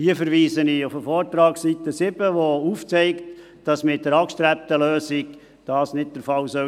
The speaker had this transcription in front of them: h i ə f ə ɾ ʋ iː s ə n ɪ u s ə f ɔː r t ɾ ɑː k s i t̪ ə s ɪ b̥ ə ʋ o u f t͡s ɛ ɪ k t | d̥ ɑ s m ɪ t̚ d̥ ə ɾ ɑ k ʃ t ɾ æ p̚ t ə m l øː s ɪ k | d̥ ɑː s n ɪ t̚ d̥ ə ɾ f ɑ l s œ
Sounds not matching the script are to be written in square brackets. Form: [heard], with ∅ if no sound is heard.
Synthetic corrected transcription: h i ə f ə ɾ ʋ iː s ə n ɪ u [f] ə f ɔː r t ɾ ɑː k s i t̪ ə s ɪ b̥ ə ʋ o u f t͡s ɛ ɪ k t | d̥ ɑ s m ɪ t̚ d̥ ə ɾ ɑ k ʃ t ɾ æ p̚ t ə [∅] l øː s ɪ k | d̥ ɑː s n ɪ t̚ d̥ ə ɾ f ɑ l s œ

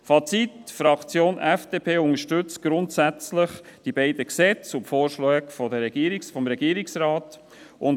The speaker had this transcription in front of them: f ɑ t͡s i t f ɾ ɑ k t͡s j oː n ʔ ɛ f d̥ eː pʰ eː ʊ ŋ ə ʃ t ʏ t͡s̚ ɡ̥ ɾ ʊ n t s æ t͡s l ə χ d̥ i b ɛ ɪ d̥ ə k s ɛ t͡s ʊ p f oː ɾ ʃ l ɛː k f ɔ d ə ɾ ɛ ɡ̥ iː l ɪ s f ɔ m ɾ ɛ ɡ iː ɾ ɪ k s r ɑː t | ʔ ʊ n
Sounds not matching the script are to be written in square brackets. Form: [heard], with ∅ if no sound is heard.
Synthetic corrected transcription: f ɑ t͡s i t f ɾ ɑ k t͡s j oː n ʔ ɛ f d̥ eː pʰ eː ʊ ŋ ə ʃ t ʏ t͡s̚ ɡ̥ ɾ ʊ n t s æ t͡s l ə χ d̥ i b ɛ ɪ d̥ ə k s ɛ t͡s ʊ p f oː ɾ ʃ l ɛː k f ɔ d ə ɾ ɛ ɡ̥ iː [ɾ] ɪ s f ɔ m ɾ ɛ ɡ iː ɾ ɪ k s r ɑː t | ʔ ʊ n

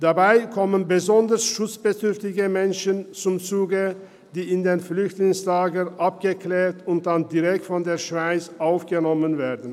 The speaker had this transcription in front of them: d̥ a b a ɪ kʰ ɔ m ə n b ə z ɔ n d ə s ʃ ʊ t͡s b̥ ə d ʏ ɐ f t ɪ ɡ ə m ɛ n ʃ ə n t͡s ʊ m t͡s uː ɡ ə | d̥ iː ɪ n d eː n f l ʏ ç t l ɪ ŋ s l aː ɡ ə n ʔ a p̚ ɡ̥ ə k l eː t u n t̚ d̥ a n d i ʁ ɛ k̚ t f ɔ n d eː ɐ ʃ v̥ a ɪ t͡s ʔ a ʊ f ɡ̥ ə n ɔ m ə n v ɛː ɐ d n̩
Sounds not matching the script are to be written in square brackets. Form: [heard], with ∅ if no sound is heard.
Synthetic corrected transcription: d̥ a b a ɪ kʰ ɔ m ə n b ə z ɔ n d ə s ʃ ʊ t͡s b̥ ə d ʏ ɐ f t ɪ ɡ ə m ɛ n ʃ ə n t͡s ʊ m t͡s uː ɡ ə | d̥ iː ɪ n d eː n f l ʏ ç t l ɪ ŋ s l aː ɡ ə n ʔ a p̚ ɡ̥ ə k l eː t [ʊ] n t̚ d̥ a n d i ʁ ɛ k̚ t f ɔ n d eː ɐ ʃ v̥ a ɪ t͡s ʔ a ʊ f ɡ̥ ə n ɔ m ə n v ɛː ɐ d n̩

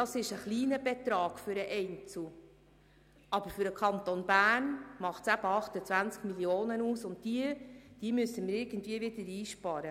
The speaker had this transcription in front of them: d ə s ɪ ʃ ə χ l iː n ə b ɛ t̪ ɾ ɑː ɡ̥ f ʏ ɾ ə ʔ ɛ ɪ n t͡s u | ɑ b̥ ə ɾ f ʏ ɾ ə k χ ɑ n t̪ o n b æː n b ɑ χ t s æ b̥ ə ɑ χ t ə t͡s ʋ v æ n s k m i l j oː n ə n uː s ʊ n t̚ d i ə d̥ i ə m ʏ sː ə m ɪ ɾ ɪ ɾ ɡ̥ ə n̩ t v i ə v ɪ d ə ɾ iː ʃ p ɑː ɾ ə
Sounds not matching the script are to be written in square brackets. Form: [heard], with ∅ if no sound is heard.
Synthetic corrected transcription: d [ɑ] s ɪ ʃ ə χ l iː n ə b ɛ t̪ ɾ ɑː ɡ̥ f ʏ ɾ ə ʔ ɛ ɪ n t͡s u | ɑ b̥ ə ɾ f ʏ ɾ ə k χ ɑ n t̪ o n b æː n [m] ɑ χ t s æ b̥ ə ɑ χ t ə t͡s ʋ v æ n [t͡s] k m i l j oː n ə n uː s ʊ n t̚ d i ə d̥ i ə m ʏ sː ə m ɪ ɾ ɪ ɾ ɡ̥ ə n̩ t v i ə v ɪ d ə ɾ iː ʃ p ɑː ɾ ə

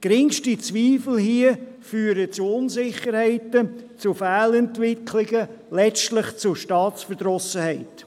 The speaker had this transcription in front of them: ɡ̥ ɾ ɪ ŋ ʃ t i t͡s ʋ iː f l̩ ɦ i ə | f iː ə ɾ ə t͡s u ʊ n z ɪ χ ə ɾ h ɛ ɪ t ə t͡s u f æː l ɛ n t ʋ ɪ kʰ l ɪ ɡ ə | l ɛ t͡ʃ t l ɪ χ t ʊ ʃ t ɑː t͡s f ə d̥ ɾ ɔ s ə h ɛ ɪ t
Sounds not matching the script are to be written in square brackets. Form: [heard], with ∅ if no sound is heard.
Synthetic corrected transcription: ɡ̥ ɾ ɪ ŋ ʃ t i t͡s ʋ iː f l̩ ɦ i ə | f [yː] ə ɾ ə t͡s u ʊ n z ɪ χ ə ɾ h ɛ ɪ t ə t͡s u f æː l ɛ n t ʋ ɪ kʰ l ɪ ɡ ə | l ɛ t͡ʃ t l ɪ χ [t͡s] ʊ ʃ t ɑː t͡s f ə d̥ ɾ ɔ s ə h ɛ ɪ t

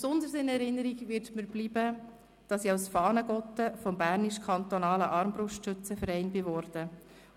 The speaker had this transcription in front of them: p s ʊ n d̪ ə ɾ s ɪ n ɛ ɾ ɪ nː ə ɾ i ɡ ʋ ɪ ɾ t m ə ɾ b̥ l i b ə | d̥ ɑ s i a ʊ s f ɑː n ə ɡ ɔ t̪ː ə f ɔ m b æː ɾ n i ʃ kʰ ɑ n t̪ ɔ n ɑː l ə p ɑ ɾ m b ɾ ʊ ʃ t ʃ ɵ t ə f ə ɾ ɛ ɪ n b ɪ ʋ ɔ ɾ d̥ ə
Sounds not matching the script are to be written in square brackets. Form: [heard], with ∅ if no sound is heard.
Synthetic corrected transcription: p s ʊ n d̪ ə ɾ s ɪ n ɛ ɾ ɪ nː ə ɾ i ɡ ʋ ɪ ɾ t m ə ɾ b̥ l i b ə | d̥ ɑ s i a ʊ s f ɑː n ə ɡ ɔ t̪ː ə f ɔ m b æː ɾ n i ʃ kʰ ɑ n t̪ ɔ n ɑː l ə [ʔ] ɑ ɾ m b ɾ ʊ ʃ t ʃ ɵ [t͡s] ə f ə ɾ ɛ ɪ n b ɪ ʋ ɔ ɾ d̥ ə

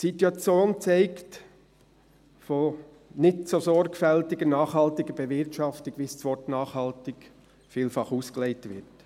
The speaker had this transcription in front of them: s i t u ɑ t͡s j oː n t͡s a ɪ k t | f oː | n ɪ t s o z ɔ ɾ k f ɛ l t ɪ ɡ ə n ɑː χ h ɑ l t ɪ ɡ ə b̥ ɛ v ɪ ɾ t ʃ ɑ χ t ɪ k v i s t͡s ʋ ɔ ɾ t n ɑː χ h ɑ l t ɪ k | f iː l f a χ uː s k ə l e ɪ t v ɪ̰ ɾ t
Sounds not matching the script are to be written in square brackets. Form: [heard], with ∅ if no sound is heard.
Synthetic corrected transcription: s i t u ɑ t͡s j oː n t͡s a ɪ k t | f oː | n ɪ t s o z ɔ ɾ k f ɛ l t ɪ ɡ ə n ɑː χ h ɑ l t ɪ ɡ ə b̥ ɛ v ɪ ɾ t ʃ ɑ [f] t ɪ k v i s t͡s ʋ ɔ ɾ t n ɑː χ h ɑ l t ɪ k | f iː l f [ɑ] χ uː s k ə l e ɪ t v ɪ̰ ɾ t

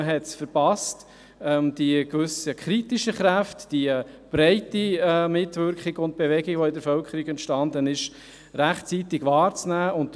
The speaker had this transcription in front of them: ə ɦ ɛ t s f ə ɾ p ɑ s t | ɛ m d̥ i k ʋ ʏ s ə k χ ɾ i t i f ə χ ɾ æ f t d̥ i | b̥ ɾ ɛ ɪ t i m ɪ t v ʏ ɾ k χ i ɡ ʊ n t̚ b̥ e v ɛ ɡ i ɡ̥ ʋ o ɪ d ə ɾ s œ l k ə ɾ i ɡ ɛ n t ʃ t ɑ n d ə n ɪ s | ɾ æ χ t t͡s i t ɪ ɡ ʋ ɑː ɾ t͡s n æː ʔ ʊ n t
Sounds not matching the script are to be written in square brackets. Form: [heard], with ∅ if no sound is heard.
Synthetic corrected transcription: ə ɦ ɛ t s f ə ɾ p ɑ s t | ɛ m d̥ i k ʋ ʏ s ə k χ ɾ i t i [ʃ] ə χ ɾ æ f t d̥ i | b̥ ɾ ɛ ɪ t i m ɪ t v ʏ ɾ k χ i ɡ ʊ n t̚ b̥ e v ɛ ɡ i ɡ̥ ʋ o ɪ d ə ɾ [f] œ l k ə ɾ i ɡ ɛ n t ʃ t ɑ n d ə n ɪ [ʃ] | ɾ æ χ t t͡s i t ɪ ɡ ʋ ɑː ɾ t͡s n æː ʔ ʊ n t

